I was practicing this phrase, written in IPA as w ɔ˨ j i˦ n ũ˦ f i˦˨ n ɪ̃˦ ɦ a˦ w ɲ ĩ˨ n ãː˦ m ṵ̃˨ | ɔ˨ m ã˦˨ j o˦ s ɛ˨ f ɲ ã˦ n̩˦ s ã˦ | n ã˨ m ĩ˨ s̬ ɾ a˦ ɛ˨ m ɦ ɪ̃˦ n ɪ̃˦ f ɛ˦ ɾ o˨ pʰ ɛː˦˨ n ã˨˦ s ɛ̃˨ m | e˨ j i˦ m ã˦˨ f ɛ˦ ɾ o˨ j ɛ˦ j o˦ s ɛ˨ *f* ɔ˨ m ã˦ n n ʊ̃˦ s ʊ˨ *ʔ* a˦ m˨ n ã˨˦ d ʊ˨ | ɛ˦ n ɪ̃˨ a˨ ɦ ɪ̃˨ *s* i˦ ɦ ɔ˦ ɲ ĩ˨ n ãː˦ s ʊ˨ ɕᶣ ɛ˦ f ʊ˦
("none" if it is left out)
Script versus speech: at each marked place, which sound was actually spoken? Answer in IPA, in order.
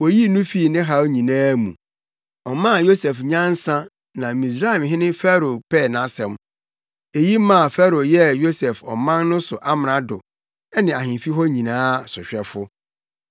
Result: f, ʔ, f

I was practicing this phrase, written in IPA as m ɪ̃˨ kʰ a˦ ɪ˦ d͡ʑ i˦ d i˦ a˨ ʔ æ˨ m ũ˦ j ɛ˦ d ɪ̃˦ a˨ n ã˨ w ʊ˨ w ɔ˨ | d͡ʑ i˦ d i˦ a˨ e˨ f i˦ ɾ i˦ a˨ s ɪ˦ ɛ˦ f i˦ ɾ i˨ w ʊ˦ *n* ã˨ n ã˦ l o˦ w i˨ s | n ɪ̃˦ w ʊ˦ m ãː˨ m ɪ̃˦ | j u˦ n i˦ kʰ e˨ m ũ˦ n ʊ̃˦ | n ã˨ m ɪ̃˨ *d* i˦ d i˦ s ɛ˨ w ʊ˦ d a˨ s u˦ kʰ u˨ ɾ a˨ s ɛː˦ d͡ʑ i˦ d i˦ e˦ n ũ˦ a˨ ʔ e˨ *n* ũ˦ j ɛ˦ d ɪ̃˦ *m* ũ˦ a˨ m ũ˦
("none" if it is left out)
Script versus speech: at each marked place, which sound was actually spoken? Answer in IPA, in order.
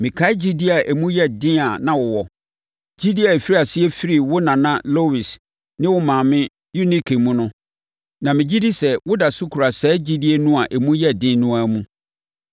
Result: n, d͡ʑ, m, n

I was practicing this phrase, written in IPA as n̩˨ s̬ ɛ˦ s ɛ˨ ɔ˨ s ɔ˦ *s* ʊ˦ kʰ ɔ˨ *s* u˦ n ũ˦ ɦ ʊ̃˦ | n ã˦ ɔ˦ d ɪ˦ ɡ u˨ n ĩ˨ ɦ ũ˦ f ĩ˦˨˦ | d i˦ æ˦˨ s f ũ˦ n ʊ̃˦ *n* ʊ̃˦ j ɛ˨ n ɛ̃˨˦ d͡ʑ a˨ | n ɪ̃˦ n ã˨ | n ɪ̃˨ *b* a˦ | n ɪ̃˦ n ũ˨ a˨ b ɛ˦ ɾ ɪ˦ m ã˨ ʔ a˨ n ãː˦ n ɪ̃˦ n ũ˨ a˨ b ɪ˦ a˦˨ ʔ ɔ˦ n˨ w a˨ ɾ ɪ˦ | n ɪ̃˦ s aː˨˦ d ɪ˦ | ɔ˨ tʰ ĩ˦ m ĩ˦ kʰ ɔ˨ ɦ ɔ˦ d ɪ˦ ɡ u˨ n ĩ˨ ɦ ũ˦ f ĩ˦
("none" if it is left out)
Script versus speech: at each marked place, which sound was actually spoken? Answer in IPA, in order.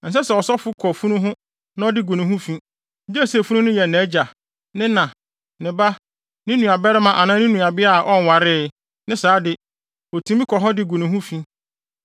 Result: f, f, n, b

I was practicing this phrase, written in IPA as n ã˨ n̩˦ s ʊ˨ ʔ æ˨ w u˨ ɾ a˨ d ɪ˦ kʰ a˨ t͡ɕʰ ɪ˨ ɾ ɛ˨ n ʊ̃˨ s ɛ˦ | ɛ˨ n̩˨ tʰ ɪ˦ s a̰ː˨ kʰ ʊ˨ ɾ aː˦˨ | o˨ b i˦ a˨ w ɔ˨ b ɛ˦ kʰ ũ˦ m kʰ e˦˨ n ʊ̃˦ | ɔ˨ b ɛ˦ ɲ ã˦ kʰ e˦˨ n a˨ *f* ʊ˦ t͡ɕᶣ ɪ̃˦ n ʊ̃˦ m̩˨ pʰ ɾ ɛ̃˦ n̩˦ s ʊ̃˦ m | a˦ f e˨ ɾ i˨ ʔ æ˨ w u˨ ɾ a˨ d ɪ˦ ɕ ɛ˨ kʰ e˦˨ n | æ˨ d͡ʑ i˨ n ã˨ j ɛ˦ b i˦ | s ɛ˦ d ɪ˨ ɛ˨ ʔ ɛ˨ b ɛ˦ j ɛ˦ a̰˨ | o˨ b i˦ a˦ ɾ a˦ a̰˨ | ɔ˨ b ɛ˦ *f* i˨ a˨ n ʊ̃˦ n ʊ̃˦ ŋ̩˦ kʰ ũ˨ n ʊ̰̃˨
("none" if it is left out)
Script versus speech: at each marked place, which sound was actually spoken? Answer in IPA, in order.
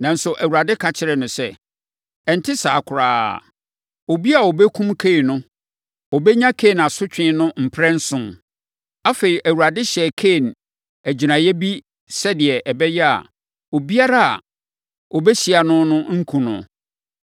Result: s, ɕ

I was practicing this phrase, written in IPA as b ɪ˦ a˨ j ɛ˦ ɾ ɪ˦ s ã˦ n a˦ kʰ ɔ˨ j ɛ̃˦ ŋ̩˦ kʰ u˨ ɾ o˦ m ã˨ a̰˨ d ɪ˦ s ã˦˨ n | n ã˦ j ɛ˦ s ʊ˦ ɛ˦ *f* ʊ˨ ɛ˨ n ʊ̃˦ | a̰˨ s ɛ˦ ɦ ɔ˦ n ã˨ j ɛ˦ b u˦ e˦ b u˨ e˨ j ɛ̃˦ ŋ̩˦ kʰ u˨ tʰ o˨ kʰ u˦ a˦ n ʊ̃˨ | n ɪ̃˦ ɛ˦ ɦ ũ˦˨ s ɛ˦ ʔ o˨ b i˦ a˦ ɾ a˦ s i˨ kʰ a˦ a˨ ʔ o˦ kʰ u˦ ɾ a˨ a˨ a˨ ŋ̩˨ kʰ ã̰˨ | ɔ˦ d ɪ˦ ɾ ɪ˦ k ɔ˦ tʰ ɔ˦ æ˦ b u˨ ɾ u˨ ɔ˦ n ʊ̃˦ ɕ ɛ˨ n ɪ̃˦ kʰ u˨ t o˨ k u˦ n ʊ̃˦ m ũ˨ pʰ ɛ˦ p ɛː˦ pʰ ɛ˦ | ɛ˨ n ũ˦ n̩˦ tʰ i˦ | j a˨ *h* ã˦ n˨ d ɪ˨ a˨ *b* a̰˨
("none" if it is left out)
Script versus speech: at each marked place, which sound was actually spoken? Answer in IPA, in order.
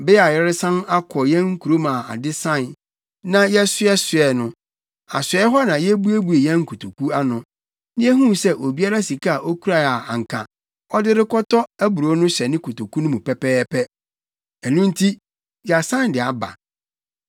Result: s, s, b

